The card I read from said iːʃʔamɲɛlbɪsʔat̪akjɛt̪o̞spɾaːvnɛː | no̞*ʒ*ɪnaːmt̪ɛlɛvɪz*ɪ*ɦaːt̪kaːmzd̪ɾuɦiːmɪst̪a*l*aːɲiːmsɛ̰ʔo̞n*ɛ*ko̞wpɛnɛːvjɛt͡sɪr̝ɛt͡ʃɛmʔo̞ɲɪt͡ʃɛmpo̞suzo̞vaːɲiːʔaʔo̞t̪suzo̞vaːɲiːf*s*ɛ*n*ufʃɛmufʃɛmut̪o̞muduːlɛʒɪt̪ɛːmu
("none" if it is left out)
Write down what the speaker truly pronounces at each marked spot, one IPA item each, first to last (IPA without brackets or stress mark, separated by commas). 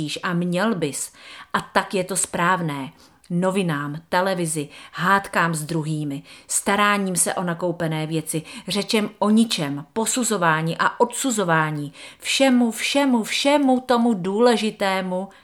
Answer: v, ɪ, ɾ, a, ʃ, m